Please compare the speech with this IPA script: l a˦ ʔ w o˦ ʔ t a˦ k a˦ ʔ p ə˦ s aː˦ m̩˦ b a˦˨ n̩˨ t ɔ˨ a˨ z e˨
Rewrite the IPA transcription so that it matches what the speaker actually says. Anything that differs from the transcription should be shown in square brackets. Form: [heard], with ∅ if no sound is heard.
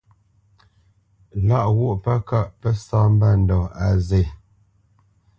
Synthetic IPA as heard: l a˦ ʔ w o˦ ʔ [p] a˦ k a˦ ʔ p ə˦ s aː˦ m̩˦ b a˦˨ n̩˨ [d] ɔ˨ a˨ z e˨